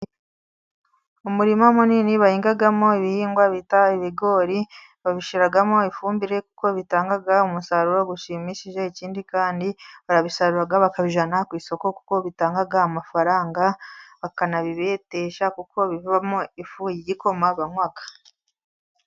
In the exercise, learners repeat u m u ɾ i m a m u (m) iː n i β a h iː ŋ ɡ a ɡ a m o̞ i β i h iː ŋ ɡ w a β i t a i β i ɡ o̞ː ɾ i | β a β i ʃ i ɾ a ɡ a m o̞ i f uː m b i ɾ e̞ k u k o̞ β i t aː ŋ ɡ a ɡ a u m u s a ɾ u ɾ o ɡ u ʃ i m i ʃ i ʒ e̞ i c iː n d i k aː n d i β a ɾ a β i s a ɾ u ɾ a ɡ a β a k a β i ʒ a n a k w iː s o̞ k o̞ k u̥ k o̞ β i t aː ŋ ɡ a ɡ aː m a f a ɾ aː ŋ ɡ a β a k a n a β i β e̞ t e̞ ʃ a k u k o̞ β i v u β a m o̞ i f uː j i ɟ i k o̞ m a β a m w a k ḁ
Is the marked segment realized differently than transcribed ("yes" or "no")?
yes